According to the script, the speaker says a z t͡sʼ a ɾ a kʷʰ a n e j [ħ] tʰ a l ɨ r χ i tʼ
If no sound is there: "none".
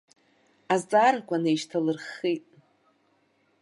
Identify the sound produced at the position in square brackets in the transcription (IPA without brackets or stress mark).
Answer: ʃ